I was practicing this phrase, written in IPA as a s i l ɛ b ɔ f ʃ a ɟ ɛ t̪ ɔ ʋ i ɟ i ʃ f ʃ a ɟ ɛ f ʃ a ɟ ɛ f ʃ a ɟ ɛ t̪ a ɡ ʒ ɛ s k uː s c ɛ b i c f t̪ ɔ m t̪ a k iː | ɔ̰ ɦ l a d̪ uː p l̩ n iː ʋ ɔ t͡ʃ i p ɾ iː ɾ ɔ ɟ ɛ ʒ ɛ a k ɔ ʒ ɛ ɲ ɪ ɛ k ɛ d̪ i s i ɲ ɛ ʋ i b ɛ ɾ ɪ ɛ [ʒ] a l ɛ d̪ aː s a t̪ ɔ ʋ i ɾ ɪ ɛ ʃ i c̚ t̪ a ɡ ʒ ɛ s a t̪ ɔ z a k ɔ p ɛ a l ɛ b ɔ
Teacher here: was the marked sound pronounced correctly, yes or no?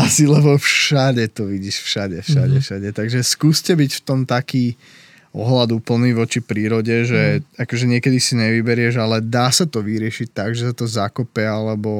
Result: yes